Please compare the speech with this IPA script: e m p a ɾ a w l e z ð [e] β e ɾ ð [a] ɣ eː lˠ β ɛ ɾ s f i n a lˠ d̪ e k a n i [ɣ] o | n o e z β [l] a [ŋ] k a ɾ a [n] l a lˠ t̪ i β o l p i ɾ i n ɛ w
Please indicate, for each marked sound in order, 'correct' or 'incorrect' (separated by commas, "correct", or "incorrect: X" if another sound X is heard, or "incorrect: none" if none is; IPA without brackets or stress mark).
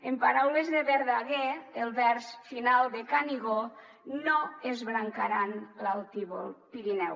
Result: correct, correct, correct, incorrect: ɾ, correct, correct